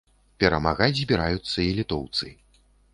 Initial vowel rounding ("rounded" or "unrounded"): unrounded